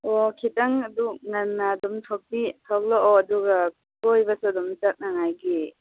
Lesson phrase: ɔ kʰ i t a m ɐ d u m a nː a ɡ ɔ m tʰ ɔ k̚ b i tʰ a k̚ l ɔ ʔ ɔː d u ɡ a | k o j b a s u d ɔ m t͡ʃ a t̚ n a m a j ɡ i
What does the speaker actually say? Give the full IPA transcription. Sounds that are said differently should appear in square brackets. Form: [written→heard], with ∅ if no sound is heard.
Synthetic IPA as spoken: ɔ kʰ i t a [m→ŋ] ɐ d u [m→ŋ] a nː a [ɡ→d] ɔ m tʰ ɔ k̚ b i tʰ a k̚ l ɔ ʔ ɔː d u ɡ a | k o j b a s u d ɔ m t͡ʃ a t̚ n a [m→ŋ] a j ɡ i